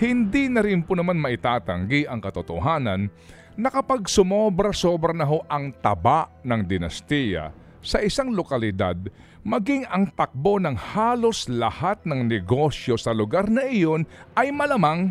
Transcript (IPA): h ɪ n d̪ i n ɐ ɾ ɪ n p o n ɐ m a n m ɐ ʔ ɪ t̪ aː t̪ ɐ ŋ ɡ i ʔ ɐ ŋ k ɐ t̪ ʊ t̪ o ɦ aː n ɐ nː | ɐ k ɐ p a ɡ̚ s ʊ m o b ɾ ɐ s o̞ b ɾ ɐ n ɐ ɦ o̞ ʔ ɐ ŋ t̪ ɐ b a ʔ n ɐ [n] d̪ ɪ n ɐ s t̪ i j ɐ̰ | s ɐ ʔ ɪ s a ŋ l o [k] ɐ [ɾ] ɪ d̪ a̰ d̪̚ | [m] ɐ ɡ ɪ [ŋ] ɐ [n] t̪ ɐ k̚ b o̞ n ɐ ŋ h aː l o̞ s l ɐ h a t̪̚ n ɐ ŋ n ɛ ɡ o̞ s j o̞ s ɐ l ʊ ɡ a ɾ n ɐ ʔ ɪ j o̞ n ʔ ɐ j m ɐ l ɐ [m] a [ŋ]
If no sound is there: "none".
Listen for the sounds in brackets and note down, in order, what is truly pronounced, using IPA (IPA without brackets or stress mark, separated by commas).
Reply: ŋ, k, l, m, ŋ, ŋ, m, ŋ